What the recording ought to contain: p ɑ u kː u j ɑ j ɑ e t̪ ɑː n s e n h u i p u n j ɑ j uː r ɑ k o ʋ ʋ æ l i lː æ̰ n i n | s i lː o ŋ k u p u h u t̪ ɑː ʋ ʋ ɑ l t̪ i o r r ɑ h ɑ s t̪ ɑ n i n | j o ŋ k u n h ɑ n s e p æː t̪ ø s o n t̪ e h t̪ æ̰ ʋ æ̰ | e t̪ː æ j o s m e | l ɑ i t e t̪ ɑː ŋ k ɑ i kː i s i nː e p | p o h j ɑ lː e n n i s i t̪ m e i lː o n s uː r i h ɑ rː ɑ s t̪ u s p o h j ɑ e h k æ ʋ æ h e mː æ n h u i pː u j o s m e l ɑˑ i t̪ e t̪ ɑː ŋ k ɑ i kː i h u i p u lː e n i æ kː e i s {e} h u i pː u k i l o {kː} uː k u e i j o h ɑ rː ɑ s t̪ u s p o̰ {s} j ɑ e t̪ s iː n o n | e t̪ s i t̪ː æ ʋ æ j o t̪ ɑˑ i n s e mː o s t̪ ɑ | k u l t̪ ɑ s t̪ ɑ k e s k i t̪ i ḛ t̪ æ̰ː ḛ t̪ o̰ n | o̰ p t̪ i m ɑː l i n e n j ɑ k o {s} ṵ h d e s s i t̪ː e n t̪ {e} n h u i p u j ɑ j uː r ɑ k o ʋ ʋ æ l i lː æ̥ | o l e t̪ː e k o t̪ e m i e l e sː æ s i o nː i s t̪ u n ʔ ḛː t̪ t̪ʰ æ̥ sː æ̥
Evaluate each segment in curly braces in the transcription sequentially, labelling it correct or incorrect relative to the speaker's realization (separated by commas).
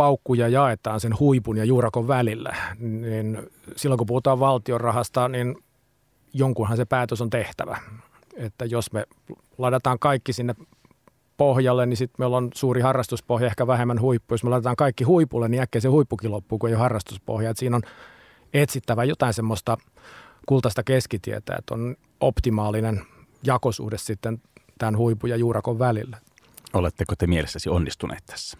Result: correct, incorrect, incorrect, correct, incorrect